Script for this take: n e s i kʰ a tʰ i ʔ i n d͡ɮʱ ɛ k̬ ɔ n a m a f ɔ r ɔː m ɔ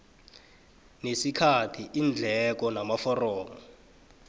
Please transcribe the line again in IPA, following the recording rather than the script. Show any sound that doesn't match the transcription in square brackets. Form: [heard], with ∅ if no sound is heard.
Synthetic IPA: n e s i kʰ a tʰ i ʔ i n d͡ɮʱ ɛ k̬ ɔ n a m a f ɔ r ɔː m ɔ